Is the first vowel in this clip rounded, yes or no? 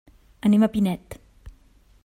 no